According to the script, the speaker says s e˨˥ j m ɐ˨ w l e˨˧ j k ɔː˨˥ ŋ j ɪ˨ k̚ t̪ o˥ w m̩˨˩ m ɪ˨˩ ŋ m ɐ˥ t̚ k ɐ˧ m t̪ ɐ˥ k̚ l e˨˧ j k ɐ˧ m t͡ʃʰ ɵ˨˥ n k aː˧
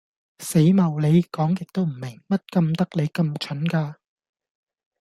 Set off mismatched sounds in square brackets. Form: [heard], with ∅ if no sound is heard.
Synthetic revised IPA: s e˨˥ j m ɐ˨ w l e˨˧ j k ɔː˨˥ ŋ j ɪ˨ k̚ t̪ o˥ w m̩˨˩ m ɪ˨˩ ŋ m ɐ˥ t̚ k ɐ˧ m t̪ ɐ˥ k̚ l e˨˧ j k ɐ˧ m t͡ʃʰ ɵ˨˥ n k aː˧